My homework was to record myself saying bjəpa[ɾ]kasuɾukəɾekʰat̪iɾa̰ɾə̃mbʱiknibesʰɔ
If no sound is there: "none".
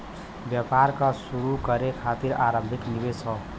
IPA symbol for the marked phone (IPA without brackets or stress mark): ɾ